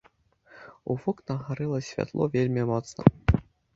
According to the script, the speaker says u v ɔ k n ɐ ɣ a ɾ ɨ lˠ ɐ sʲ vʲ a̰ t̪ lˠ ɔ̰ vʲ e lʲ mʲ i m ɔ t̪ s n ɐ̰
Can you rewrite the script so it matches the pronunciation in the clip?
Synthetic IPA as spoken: u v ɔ k n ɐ ɣ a ɾ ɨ lˠ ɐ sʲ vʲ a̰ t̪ lˠ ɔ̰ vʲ e lʲ mʲ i m ɔ t̪ s n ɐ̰

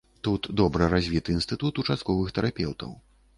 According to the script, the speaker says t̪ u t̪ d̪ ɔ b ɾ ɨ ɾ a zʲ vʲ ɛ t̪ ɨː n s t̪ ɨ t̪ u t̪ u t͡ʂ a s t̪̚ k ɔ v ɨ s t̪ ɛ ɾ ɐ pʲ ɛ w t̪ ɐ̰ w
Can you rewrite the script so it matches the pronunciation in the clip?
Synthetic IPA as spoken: t̪ u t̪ d̪ ɔ b ɾ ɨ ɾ a zʲ vʲ i t̪ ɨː n s t̪ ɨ t̪ u t̪ u t͡ʂ a s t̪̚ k ɔ v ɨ x t̪ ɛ ɾ a pʲ ɛ w t̪ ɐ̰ w

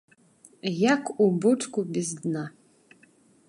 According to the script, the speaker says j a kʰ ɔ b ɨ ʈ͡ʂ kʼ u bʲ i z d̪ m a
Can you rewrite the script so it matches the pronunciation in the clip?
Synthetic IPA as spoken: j a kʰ u b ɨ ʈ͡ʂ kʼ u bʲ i z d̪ n a

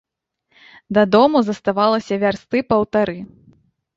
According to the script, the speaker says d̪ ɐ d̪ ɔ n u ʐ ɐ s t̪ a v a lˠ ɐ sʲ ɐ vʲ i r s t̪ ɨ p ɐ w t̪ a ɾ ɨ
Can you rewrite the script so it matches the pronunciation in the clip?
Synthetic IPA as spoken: d̪ ɐ d̪ ɔ m u z ɐ s t̪ a v a lˠ ɐ sʲ ɐ vʲ a r s t̪ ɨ p ɐ w t̪ a ɾ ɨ

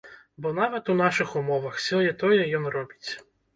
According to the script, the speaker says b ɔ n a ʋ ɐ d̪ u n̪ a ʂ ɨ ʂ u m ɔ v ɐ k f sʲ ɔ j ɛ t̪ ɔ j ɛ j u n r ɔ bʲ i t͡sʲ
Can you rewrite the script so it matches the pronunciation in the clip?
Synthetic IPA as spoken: b ɔ n a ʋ ɐ t̪ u n̪ a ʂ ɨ x u m ɔ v ɐ x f sʲ ɔ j ɛ t̪ ɔ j ɛ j ɔ n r ɔ bʲ i t͡sʲ

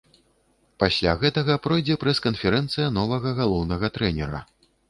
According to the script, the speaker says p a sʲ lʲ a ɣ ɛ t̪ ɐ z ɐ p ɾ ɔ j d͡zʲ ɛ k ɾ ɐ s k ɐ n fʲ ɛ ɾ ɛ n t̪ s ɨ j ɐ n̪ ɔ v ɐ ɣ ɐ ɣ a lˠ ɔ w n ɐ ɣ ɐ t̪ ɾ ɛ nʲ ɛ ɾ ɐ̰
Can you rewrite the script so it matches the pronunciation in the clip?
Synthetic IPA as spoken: p a sʲ lʲ a ɣ ɛ t̪ ɐ ɣ ɐ p ɾ ɔ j d͡zʲ ɛ p ɾ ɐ s k ɐ n fʲ ɛ ɾ ɛ n t̪ s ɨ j ɐ n̪ ɔ v ɐ ɣ ɐ ɣ a lˠ ɔ w n ɐ ɣ ɐ t̪ ɾ ɛ nʲ ɛ ɾ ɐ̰

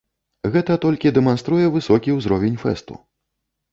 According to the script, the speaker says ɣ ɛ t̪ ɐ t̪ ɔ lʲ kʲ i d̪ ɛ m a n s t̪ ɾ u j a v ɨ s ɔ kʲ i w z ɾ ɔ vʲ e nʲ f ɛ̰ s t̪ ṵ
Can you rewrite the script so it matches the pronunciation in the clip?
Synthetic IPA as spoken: ɣ ɛ t̪ ɐ t̪ ɔ lʲ kʲ i d̪ ɛ m a n s t̪ ɾ u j ɛ v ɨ s ɔ kʲ i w z ɾ ɔ vʲ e nʲ f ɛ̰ s t̪ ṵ

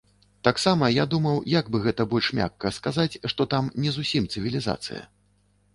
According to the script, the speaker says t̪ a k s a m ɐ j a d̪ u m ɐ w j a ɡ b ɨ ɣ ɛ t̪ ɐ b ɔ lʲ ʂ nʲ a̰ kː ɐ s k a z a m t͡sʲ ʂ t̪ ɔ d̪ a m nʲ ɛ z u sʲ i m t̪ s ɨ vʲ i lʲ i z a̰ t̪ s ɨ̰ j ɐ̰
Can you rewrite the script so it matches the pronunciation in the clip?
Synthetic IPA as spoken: t̪ a k s a m ɐ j a d̪ u m ɐ w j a ɡ b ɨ ɣ ɛ t̪ ɐ b ɔ lʲ ʂ mʲ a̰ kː ɐ s k a z a t͡sʲ ʂ t̪ ɔ t̪ a m nʲ ɛ z u sʲ i m t̪ s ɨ vʲ i lʲ i z a̰ t̪ s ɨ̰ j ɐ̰

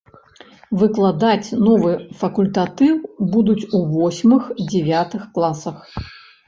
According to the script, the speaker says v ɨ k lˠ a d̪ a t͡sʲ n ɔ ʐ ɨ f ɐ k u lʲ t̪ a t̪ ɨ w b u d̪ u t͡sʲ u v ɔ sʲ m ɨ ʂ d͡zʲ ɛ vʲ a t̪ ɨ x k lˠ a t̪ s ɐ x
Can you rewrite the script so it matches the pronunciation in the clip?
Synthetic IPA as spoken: v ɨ k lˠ a d̪ a t͡sʲ n ɔ v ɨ f ɐ k u lʲ t̪ a t̪ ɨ w b u d̪ u t͡sʲ u v ɔ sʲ m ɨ x d͡zʲ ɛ vʲ a t̪ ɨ x k lˠ a s ɐ x

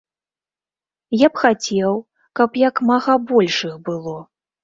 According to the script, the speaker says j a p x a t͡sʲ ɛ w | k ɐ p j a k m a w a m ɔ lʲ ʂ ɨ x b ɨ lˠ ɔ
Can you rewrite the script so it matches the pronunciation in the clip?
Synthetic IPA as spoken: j a p x a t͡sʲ ɛ w | k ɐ p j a k m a ɣ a b ɔ lʲ ʂ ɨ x b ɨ lˠ ɔ

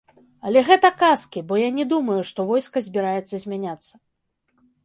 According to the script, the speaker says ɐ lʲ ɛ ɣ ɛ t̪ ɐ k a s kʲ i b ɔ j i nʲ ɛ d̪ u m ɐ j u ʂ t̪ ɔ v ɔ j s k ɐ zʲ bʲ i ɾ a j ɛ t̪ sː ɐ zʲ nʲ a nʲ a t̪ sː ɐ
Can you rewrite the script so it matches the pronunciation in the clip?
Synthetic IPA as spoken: ɐ lʲ ɛ ɣ ɛ t̪ ɐ k a s kʲ i b ɔ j a nʲ ɛ d̪ u m ɐ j u ʂ t̪ ɔ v ɔ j s k ɐ zʲ bʲ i ɾ a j ɛ t̪ sː ɐ zʲ mʲ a nʲ a t̪ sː ɐ

